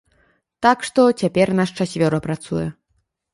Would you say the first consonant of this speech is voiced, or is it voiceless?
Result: voiceless